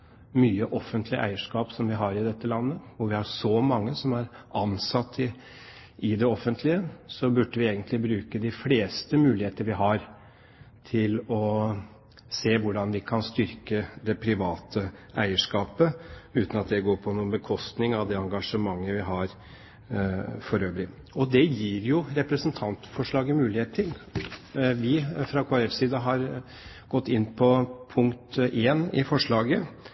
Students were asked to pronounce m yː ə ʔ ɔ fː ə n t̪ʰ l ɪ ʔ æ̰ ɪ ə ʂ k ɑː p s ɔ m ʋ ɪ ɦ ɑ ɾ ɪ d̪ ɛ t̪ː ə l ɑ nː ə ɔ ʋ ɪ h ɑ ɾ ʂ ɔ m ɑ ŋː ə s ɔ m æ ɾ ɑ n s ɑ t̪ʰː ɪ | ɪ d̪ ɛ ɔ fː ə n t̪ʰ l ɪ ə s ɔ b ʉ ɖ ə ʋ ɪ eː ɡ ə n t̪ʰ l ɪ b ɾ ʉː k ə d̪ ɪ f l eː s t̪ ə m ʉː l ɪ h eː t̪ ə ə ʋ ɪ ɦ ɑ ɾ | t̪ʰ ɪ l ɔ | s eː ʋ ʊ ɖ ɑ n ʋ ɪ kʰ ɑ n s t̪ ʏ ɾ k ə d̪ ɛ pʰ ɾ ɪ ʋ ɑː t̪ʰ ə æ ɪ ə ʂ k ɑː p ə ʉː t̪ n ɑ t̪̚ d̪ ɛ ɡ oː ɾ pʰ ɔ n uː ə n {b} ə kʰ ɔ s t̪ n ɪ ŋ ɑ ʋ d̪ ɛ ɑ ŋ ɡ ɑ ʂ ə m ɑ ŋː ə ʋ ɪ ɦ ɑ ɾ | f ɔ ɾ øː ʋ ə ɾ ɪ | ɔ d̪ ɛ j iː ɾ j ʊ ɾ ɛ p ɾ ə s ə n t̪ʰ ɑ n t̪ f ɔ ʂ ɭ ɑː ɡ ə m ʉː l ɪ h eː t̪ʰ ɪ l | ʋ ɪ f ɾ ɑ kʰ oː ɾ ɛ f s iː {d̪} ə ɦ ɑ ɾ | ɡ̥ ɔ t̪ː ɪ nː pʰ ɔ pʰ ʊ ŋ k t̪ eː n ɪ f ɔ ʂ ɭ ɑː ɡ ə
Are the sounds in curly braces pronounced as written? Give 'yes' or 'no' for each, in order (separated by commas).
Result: yes, yes